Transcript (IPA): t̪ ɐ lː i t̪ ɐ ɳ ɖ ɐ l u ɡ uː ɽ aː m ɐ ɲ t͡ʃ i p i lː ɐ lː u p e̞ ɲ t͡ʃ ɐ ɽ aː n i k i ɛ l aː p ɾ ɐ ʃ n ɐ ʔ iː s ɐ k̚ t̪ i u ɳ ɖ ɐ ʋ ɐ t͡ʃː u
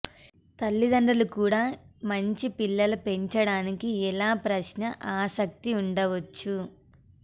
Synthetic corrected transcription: t̪ ɐ lː i d̪ ɐ ɳ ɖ ɐ l u k uː ɽ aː m ɐ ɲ t͡ʃ i p i lː ɐ l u p e̞ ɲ t͡ʃ ɐ ɽ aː n i k i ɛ l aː p ɾ ɐ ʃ n ɐ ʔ aː s ɐ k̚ t̪ i u ɳ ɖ ɐ ʋ ɐ t͡ʃː u